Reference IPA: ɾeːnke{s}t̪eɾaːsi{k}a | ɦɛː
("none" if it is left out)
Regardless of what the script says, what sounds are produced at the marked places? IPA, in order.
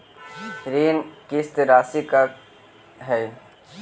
s, k

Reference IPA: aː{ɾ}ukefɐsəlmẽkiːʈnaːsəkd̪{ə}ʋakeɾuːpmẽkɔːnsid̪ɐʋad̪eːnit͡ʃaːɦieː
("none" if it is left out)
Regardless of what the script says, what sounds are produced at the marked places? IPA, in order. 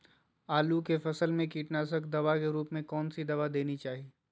l, ɐ

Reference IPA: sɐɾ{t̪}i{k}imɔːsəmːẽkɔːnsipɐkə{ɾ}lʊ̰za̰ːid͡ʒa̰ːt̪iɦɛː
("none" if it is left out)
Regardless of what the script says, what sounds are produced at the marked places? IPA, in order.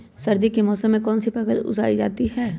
d̪, k, none

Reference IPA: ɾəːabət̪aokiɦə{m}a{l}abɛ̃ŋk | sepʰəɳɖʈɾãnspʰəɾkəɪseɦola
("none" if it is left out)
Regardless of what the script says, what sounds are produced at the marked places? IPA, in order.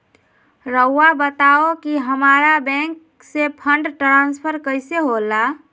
m, ɾ

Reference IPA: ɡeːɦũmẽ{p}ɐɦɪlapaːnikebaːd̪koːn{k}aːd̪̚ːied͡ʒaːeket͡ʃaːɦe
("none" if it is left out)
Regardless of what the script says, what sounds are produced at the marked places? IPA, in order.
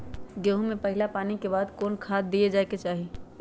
p, kʰ

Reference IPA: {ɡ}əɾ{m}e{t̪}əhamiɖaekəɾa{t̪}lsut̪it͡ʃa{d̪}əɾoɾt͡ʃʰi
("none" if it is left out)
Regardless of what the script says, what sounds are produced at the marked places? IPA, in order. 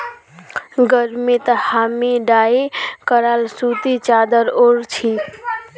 ɡ, m, t̪, none, d̪

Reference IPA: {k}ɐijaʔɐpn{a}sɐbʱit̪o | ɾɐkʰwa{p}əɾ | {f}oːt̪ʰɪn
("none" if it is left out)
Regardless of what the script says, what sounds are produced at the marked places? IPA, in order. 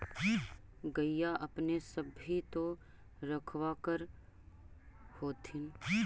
ɡ, e, k, h

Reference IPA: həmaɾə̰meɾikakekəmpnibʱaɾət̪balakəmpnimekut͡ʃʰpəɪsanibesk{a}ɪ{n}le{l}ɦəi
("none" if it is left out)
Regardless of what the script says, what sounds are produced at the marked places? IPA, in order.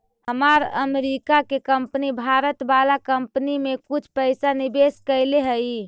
ə, none, none

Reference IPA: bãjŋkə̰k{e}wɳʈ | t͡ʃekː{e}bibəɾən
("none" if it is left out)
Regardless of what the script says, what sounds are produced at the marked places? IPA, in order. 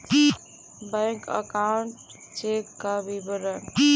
a, a

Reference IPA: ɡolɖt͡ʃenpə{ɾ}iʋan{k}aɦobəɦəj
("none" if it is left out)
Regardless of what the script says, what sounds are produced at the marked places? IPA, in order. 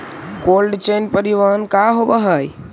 ɾ, k

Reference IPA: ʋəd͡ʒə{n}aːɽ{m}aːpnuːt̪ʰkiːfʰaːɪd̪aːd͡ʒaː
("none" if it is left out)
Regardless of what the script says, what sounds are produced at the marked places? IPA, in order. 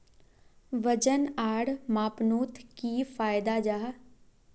n, m

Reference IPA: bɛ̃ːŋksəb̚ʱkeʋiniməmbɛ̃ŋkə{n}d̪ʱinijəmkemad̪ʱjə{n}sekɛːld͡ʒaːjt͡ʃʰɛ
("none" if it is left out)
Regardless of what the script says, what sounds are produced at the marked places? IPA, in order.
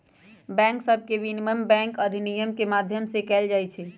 none, m

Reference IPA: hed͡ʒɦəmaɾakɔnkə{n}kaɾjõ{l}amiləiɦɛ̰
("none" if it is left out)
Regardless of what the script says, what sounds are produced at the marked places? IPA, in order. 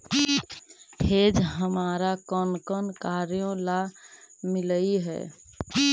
n, l

